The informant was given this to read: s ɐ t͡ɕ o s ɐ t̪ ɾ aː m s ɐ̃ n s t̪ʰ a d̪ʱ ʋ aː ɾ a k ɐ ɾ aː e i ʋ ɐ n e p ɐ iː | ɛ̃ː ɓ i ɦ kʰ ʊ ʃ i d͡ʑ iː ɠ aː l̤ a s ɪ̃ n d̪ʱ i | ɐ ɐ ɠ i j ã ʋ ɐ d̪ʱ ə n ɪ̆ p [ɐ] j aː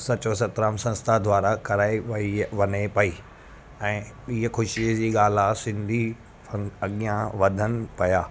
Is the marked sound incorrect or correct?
correct